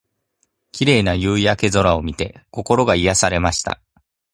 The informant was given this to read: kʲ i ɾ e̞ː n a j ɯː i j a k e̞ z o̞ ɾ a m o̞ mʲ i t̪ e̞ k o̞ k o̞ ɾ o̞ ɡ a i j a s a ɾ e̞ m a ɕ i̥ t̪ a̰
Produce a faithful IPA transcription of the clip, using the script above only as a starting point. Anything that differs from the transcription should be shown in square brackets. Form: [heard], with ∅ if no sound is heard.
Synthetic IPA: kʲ i ɾ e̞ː n a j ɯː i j a k e̞ z o̞ ɾ a [∅] o̞ mʲ i t̪ e̞ k o̞ k o̞ ɾ o̞ ɡ a i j a s a ɾ e̞ m a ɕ i̥ t̪ a̰